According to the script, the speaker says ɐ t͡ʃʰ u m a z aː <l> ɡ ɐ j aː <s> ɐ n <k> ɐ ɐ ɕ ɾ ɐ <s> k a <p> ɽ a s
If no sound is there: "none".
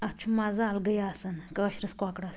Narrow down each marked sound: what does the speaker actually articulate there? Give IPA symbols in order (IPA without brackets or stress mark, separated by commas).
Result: l, s, k, s, k